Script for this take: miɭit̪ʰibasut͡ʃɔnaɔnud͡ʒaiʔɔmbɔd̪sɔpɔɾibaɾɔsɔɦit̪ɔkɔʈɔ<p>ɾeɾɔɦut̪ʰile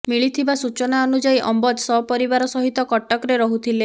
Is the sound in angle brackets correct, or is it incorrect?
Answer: incorrect